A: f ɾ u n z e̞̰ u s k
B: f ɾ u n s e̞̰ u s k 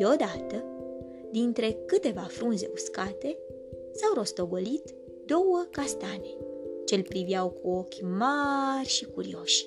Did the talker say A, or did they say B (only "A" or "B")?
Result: A